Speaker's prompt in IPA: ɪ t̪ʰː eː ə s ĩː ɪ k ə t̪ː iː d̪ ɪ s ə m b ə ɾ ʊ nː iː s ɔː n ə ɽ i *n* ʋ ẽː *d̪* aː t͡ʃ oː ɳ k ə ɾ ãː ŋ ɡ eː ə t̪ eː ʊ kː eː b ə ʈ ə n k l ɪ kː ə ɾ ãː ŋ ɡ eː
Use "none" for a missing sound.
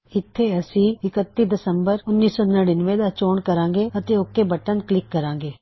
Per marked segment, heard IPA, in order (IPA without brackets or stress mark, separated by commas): n, d̪